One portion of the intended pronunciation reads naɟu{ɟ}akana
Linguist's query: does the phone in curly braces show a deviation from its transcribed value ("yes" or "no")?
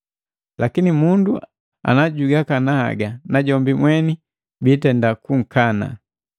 yes